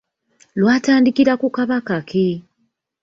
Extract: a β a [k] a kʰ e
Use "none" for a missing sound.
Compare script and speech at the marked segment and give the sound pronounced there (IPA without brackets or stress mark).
k